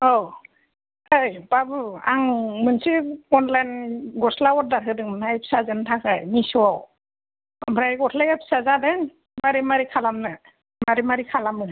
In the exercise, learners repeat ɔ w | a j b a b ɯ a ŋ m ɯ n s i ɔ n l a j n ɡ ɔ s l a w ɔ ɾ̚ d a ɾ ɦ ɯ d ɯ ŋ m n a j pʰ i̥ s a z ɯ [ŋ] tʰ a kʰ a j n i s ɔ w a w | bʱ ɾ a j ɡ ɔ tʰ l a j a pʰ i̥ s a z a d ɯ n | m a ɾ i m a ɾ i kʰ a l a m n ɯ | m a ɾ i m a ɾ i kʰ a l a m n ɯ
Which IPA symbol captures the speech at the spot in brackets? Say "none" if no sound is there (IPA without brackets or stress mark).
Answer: n